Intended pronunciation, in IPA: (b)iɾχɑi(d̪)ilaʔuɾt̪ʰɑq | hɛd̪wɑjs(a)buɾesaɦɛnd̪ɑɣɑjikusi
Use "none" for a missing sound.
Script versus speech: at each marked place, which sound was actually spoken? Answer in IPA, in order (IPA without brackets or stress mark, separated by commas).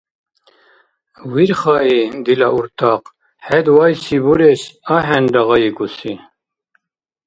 w, d̪, i